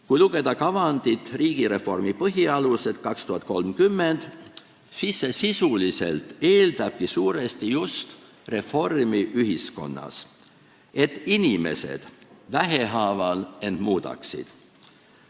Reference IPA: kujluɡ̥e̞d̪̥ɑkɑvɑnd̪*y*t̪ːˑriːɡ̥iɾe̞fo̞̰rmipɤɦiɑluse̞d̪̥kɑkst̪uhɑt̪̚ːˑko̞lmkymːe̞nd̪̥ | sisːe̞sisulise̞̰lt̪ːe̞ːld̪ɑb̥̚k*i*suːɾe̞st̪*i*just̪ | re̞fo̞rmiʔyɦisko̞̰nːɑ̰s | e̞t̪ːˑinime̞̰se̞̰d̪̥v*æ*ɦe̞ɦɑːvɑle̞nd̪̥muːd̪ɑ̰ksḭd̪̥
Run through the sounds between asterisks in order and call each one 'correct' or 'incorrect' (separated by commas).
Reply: incorrect, correct, correct, correct